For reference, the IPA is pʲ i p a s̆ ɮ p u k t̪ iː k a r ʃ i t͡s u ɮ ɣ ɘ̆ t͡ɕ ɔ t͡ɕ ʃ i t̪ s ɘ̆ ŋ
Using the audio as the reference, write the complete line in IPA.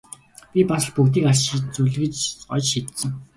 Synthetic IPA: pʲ i p a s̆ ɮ p u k t̪ iː k a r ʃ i t͡s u ɮ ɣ ɘ̆ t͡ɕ ɔ t͡ɕ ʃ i t̪ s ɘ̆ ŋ